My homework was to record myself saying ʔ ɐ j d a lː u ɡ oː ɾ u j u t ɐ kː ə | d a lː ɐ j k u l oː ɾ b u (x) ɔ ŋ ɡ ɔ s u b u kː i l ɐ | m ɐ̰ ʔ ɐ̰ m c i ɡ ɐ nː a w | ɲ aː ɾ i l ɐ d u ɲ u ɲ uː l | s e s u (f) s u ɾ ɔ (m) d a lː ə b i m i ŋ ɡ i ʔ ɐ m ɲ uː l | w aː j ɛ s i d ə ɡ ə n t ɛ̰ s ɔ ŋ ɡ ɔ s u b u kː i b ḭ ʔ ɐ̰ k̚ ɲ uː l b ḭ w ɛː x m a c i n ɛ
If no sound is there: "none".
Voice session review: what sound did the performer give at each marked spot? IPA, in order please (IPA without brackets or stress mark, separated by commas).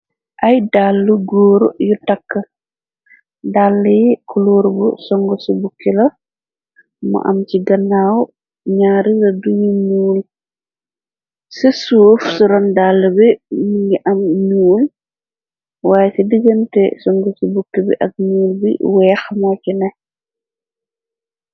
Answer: s, f, n